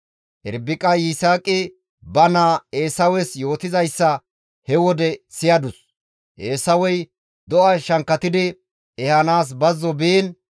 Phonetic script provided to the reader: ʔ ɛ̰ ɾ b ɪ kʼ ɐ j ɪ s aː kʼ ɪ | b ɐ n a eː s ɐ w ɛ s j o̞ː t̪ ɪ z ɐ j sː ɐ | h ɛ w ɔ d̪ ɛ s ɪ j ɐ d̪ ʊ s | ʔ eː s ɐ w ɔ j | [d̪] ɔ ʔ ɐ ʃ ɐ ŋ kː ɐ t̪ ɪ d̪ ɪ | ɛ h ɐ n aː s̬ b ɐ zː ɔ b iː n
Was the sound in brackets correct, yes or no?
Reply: yes